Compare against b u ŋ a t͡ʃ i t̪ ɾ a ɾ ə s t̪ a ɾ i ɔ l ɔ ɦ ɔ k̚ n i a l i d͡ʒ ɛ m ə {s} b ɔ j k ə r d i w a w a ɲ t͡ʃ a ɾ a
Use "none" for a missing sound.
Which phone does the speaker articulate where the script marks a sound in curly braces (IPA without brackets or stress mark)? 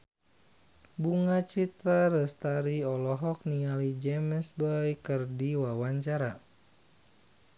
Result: s